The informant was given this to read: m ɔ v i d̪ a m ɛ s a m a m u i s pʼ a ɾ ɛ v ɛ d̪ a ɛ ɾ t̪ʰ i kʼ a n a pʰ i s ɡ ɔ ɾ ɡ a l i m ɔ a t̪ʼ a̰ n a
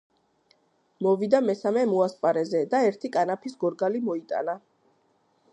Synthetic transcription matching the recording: m ɔ v i d̪ a m ɛ s a m ɛ m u a s pʼ a ɾ ɛ z ɛ d̪ a ɛ ɾ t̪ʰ i kʼ a n a pʰ i s ɡ ɔ ɾ ɡ a l i m ɔ i t̪ʼ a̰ n a